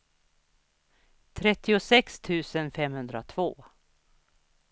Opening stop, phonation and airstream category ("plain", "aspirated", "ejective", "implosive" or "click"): aspirated